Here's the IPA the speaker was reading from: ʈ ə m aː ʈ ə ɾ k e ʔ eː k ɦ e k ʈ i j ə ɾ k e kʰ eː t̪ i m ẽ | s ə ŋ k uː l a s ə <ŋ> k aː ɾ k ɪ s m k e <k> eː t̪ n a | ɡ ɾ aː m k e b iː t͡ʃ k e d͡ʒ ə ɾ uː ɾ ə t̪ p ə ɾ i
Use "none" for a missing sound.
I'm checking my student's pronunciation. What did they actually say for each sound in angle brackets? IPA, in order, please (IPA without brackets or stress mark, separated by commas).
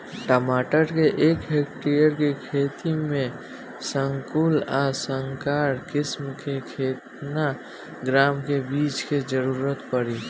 ŋ, kʰ